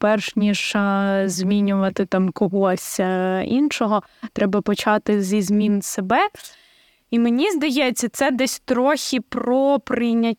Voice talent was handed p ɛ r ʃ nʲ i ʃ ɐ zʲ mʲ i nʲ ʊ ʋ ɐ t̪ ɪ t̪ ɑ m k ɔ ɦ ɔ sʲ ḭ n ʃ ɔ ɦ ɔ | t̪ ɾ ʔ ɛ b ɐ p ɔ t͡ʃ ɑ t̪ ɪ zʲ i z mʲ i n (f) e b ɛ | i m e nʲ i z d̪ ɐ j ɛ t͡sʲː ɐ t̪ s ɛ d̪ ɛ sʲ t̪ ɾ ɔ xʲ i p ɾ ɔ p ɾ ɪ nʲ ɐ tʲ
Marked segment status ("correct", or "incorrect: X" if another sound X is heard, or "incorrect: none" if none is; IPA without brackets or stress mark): incorrect: s